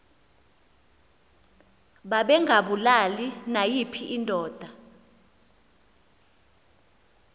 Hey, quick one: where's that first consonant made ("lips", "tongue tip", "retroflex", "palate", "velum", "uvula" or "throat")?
lips